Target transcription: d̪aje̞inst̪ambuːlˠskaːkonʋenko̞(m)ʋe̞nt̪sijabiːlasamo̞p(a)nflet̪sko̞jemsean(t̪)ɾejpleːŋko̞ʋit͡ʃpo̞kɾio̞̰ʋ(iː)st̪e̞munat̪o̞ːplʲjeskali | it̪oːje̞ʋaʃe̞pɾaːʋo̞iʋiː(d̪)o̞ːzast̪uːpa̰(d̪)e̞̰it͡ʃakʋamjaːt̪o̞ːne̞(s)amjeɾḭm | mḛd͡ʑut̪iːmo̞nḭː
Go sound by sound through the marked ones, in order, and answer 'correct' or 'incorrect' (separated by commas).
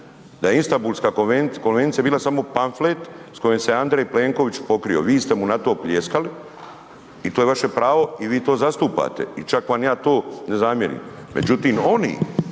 incorrect, correct, incorrect, correct, incorrect, incorrect, incorrect